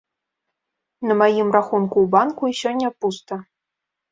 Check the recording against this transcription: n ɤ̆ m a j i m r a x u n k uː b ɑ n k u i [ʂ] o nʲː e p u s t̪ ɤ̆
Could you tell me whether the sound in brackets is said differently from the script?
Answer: yes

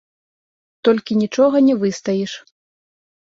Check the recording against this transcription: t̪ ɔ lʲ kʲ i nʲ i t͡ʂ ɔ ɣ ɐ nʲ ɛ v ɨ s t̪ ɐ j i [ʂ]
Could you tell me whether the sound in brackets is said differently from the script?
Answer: no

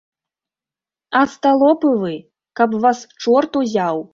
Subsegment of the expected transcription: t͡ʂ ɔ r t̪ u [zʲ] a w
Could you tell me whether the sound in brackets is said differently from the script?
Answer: no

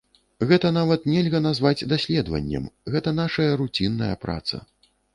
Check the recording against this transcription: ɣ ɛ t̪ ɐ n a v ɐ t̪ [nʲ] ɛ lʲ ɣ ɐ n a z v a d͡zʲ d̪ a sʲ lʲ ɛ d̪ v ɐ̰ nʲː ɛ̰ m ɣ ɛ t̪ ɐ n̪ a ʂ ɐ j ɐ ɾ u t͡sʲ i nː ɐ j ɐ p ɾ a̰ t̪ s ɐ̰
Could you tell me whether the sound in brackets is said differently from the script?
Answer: no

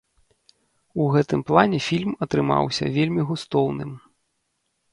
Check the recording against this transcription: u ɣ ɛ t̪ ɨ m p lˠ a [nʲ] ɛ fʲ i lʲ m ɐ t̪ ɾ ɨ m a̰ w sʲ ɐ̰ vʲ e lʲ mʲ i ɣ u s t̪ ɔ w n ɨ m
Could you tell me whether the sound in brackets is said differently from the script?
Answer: no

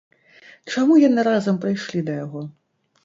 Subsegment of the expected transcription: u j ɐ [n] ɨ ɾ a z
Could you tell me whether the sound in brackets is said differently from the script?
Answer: no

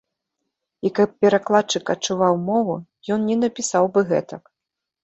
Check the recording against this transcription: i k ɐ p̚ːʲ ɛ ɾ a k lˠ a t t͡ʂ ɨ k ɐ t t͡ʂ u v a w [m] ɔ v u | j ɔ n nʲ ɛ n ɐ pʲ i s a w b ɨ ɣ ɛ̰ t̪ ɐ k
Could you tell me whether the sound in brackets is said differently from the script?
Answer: no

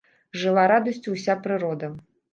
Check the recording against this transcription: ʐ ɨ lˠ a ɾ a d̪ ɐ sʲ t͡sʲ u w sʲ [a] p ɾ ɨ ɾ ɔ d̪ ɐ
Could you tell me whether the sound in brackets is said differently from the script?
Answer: no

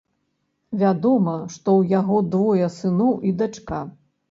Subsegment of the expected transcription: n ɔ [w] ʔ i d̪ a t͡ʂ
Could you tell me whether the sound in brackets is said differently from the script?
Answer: no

